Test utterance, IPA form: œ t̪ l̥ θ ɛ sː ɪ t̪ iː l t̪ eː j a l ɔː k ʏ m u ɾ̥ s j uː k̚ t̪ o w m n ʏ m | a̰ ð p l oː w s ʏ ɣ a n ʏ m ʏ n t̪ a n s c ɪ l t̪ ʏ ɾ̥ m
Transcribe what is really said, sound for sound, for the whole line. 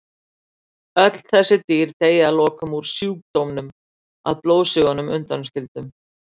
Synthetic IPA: œ t̪ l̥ θ ɛ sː ɪ t̪ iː ɾ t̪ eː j a l ɔː k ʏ m u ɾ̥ s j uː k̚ t̪ o w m n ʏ m | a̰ ð p l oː w s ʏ ɣ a n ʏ m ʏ n t̪ a n s c ɪ l t̪ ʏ m